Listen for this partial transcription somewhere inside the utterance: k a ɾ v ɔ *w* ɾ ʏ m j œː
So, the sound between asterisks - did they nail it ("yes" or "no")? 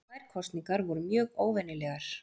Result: no